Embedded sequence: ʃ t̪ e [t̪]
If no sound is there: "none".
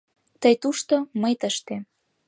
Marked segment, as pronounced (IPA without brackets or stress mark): none